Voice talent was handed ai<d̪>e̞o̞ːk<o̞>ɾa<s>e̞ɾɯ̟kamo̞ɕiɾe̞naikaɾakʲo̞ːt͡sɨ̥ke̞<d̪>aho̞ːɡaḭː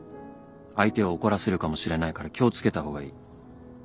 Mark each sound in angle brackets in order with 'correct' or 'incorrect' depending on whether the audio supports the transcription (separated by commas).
incorrect, correct, correct, incorrect